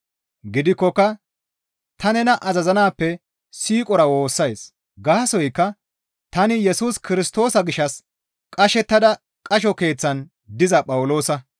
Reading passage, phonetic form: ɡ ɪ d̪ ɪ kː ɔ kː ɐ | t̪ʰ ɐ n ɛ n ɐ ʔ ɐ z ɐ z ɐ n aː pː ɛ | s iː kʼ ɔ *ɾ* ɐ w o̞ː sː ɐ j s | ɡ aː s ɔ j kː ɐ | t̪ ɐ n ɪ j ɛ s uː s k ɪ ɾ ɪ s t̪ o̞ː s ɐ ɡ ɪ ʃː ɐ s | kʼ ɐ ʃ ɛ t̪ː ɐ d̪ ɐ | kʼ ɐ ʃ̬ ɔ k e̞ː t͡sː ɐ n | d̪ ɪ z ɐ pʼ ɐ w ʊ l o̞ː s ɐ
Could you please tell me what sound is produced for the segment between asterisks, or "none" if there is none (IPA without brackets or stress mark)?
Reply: ɾ